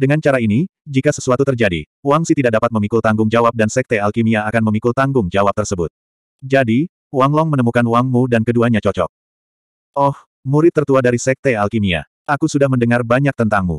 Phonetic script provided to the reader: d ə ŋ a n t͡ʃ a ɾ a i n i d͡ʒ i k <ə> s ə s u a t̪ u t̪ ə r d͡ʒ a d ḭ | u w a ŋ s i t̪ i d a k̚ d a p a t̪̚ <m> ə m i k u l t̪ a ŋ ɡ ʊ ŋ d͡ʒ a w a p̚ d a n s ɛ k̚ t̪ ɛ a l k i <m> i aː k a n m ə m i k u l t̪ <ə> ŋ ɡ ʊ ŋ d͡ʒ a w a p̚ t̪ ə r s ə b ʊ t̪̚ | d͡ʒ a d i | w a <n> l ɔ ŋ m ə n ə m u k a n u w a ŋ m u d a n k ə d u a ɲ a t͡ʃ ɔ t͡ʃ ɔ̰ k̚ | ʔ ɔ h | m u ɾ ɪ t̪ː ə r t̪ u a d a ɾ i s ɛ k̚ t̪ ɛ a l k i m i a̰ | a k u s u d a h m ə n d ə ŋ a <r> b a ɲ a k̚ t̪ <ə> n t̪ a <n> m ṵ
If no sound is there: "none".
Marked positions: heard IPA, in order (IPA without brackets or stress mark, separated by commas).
a, m, m, a, ŋ, r, ə, ŋ